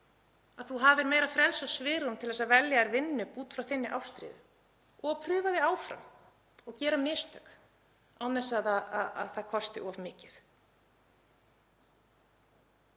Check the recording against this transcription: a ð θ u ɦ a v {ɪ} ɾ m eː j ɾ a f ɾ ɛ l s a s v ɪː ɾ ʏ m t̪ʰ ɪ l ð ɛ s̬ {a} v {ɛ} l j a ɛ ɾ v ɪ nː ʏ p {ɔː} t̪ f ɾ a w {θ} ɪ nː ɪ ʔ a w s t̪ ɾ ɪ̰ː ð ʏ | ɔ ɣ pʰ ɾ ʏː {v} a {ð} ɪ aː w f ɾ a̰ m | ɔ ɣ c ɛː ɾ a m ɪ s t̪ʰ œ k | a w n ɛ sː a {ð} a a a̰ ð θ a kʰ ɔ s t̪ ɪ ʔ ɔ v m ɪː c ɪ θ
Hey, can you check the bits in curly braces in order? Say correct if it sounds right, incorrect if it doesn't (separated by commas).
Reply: correct, correct, correct, incorrect, correct, correct, correct, correct